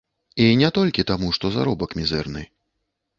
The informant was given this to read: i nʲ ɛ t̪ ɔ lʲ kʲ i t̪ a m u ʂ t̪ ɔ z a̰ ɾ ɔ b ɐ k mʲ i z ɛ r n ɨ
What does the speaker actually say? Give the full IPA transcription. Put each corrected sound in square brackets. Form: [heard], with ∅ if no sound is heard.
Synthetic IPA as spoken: i nʲ ɛ t̪ ɔ lʲ kʲ i t̪ a m u ʂ t̪ ɔ z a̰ ɾ ɔ b ɐ k mʲ i z ɛ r n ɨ